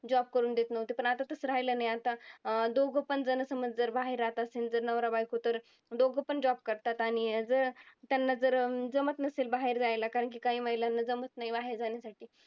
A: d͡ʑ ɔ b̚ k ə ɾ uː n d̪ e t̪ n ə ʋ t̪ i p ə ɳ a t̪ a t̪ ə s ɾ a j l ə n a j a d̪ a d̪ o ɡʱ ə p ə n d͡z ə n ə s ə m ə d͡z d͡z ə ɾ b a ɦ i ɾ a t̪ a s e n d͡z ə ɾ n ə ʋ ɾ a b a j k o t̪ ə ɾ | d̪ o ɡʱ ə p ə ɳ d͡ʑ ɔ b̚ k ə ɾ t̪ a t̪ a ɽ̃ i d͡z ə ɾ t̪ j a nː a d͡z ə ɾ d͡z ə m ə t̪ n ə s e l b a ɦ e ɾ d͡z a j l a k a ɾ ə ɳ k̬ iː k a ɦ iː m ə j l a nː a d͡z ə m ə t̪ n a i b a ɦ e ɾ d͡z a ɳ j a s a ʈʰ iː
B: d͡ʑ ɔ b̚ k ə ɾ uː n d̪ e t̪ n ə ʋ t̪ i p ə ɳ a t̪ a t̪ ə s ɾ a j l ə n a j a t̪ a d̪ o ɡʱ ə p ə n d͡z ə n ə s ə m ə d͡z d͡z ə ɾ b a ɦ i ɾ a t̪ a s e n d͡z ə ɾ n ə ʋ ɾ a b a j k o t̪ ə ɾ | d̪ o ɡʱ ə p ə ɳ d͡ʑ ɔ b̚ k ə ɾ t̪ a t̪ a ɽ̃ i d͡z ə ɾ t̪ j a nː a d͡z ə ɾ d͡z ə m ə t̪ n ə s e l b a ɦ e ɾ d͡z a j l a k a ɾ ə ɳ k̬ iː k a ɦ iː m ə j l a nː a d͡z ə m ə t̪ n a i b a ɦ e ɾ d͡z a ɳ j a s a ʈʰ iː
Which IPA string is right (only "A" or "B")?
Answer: B